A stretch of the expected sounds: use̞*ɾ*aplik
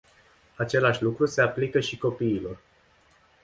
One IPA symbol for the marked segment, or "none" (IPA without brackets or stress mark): none